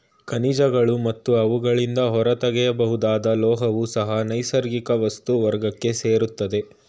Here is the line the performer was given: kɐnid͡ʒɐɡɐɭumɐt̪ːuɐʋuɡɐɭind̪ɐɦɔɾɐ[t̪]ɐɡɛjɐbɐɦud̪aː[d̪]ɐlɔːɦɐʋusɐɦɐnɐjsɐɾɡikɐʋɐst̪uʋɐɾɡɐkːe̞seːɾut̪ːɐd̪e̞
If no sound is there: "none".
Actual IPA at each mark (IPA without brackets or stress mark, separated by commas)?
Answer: t̪, d̪